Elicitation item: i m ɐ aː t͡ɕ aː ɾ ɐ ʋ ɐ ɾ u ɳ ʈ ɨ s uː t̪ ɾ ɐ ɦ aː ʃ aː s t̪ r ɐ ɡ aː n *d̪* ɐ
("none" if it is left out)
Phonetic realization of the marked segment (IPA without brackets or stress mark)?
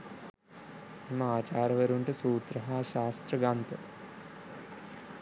t̪